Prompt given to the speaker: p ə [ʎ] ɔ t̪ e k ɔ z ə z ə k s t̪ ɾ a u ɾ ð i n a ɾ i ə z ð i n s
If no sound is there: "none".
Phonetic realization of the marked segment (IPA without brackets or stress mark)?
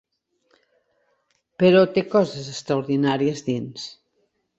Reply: ɾ